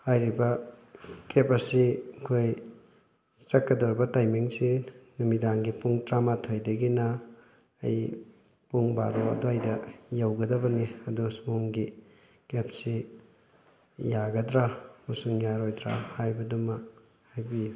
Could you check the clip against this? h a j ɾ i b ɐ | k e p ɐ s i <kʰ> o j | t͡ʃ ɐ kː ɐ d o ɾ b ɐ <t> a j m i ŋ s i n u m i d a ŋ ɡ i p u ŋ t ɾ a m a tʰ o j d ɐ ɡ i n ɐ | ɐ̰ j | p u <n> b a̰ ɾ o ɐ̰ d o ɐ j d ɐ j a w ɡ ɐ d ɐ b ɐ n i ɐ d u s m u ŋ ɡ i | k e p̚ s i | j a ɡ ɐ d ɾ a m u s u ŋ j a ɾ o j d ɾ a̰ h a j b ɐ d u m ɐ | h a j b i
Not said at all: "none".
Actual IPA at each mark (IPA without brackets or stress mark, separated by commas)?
kʰ, t, ŋ